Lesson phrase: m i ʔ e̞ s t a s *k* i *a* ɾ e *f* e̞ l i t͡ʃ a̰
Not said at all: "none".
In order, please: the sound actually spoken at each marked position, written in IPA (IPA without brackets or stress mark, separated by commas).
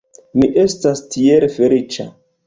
t, e, f